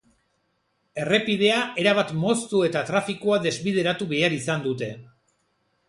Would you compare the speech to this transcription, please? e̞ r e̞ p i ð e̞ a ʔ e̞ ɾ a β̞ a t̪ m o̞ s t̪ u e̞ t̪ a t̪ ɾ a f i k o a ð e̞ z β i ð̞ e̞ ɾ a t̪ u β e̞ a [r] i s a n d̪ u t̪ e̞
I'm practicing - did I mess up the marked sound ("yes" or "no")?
yes